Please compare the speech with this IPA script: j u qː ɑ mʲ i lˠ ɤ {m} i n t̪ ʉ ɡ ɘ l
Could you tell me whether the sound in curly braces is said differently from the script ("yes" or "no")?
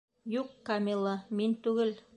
no